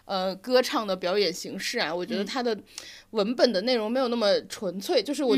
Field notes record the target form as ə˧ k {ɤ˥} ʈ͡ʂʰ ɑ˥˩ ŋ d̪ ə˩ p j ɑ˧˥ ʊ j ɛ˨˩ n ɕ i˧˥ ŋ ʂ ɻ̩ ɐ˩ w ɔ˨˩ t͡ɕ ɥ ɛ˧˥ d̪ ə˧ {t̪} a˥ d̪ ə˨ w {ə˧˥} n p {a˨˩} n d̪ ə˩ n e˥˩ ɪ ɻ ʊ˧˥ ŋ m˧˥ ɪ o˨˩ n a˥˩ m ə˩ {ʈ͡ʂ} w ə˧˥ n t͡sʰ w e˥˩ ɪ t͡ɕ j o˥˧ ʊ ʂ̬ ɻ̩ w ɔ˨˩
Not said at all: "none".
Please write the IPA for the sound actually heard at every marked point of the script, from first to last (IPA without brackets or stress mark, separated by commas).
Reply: ɤ˥, t̪ʰ, ə˧˥, ə˨˩, ʈ͡ʂʰ